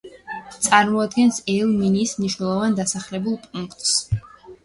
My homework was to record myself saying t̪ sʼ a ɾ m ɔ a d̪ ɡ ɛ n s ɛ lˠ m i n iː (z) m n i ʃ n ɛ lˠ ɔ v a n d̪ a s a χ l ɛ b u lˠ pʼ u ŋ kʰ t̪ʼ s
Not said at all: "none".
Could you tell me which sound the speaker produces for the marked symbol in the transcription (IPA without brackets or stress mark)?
s